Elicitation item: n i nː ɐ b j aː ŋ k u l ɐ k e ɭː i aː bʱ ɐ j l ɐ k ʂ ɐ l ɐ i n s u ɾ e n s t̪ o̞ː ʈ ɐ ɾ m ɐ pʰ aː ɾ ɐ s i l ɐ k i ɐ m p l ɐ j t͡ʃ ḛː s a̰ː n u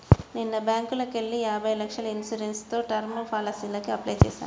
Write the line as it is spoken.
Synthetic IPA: n i nː ɐ b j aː ŋ k u l ɐ k e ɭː i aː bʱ ɐ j l ɐ k ʂ ɐ l ɐ i n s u ɾ e n s t̪ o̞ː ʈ ɐ ɾ m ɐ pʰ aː l ɐ s i l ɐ k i ɐ p l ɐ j t͡ʃ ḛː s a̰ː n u